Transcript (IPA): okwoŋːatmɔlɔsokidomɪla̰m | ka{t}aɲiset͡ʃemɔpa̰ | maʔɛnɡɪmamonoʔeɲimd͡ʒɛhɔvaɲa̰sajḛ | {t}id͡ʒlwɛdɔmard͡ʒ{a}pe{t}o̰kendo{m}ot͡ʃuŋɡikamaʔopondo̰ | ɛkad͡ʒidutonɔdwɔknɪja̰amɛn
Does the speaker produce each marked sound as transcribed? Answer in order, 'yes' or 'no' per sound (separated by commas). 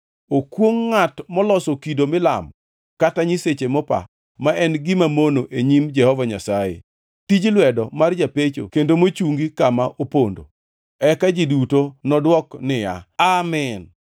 yes, yes, yes, no, yes